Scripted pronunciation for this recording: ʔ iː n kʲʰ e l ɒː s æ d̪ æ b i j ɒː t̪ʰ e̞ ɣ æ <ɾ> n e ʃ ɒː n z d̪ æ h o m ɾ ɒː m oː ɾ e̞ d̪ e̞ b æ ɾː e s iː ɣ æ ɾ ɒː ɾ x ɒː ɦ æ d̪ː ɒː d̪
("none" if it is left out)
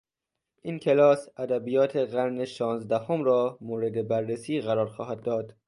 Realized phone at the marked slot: ɾ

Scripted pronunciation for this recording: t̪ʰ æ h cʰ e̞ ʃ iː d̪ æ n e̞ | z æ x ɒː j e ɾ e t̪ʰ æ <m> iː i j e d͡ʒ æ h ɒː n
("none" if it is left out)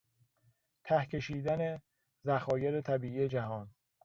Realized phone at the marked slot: b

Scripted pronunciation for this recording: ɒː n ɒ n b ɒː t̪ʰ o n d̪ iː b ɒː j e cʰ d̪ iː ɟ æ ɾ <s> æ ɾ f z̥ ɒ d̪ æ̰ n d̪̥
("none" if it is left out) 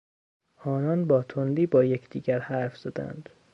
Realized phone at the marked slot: h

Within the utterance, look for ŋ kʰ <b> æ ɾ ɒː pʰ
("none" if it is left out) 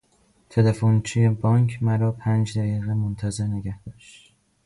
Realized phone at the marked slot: m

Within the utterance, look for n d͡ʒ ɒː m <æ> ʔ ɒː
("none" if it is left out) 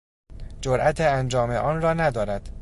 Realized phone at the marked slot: e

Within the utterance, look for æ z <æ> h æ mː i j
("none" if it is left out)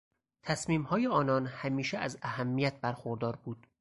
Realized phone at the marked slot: æ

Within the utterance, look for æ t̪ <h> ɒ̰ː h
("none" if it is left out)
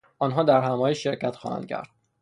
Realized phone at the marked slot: x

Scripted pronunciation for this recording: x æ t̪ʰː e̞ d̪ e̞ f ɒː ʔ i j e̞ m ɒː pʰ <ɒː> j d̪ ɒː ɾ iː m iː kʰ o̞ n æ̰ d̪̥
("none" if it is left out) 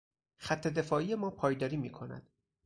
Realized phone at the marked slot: ɒː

